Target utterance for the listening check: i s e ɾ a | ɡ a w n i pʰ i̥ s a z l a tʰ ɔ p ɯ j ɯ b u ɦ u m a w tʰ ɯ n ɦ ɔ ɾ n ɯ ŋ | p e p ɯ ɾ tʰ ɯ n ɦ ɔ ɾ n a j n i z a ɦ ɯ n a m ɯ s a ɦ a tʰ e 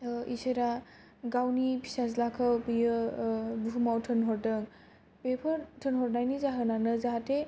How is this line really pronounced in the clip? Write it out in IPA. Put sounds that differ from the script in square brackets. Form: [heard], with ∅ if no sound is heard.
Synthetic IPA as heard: i s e ɾ a | ɡ a w n i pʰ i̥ s a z l a [kʰ] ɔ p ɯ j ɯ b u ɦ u m a w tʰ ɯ n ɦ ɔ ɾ [d] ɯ ŋ | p e [pʰ] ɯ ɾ tʰ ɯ n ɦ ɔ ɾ n a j n i z a ɦ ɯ n a [n] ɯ [z] a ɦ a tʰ e